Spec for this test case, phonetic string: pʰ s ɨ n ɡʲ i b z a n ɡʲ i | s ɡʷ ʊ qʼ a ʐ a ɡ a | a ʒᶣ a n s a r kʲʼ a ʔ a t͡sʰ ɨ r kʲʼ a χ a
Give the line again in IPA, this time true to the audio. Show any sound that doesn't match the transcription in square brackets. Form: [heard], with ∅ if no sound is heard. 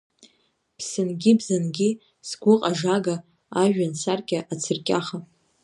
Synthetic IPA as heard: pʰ s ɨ n ɡʲ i b z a n ɡʲ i | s ɡʷ ʊ qʼ a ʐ a ɡ a | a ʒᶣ a n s a r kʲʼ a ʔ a t͡sʰ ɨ r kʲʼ a χ a